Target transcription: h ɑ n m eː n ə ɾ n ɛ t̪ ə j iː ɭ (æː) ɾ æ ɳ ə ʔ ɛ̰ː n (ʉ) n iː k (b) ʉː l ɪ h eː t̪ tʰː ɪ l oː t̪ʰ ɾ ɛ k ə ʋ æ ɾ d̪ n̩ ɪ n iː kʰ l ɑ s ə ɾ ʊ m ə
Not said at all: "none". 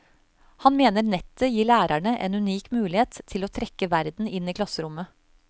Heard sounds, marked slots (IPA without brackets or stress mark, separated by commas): æː, ʉ, m